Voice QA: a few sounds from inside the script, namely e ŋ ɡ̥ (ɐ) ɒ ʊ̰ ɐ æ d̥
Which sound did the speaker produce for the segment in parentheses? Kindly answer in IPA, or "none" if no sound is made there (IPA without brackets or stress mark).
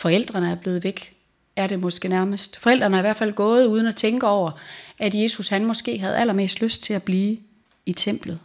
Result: ə